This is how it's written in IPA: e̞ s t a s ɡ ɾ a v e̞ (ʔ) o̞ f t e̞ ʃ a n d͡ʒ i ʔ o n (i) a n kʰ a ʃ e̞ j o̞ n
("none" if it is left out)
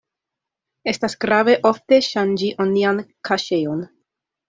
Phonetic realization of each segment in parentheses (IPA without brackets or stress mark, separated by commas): ʔ, i